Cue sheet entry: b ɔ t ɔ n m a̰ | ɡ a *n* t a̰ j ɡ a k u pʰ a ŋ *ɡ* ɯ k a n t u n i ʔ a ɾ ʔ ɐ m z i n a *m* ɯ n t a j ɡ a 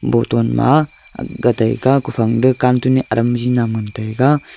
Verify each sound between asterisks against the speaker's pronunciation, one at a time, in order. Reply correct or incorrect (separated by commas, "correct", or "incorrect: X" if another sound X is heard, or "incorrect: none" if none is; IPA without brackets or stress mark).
incorrect: none, incorrect: d, correct